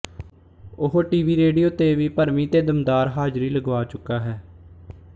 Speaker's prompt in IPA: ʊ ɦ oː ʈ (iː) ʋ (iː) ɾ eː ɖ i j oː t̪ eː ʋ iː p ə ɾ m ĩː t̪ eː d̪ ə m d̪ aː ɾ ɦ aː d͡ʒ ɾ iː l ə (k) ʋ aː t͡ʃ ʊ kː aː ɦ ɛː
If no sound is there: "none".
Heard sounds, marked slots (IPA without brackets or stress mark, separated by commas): iː, iː, ɡ